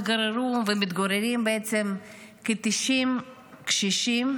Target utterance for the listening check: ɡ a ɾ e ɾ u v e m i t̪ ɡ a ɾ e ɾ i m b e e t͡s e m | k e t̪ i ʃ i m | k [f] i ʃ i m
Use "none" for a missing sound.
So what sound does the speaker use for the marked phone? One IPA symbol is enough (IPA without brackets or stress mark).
ʃ